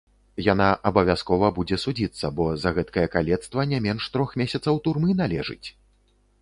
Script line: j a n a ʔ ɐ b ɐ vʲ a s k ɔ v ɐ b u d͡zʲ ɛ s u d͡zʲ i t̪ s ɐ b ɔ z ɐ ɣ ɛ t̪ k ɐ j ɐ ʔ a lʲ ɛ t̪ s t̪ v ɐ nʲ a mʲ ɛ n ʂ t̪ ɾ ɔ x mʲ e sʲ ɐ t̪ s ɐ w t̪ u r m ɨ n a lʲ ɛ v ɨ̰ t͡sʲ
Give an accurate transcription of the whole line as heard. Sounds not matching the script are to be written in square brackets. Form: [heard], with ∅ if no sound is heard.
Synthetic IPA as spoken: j a n a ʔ ɐ b ɐ vʲ a s k ɔ v ɐ b u d͡zʲ ɛ s u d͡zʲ i t̪ [sː] ɐ b ɔ z ɐ ɣ ɛ t̪ k ɐ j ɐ [k] a lʲ ɛ t̪ s t̪ v ɐ nʲ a mʲ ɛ n ʂ t̪ ɾ ɔ x mʲ e sʲ ɐ t̪ s ɐ w t̪ u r m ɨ n a lʲ ɛ [ʐ] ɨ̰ t͡sʲ